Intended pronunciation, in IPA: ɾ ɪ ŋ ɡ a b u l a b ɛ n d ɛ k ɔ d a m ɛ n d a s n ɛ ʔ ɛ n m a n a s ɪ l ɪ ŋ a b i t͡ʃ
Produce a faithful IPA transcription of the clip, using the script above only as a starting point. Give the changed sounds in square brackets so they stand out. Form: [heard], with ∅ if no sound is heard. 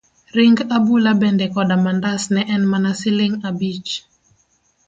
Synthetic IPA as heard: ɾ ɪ ŋ ɡ a b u l a b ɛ n d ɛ k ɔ d a m [a] n d a s n ɛ ʔ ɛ n m a n a s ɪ l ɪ ŋ a b i t͡ʃ